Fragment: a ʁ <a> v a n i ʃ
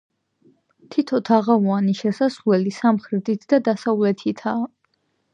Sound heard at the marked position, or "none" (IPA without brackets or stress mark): a